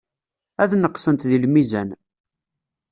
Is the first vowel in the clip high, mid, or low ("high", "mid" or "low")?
low